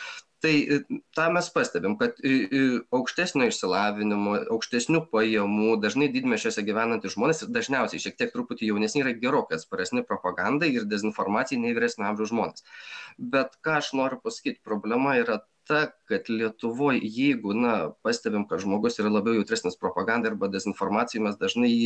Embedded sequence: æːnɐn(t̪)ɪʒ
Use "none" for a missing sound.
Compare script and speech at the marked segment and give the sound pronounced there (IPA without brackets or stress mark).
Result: t̪